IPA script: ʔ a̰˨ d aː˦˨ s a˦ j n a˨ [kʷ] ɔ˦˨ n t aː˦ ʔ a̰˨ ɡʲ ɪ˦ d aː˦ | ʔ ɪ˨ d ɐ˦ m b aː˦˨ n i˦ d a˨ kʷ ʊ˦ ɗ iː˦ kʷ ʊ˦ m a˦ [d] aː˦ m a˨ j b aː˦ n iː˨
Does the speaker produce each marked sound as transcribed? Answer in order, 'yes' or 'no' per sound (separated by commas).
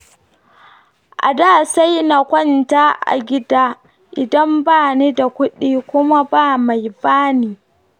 yes, no